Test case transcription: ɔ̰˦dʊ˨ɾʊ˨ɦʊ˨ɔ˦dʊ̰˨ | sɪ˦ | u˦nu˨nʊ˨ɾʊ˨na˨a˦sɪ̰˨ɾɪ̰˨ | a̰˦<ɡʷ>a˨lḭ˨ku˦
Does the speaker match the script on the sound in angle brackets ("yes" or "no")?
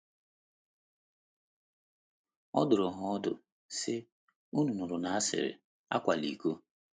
no